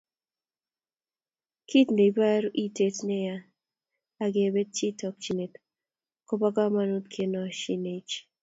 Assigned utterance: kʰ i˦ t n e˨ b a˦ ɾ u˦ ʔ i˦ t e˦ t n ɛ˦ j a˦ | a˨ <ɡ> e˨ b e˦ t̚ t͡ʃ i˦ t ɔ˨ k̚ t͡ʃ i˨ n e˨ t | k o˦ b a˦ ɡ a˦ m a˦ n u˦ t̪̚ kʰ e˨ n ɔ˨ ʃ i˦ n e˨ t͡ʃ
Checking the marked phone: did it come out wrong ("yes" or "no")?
no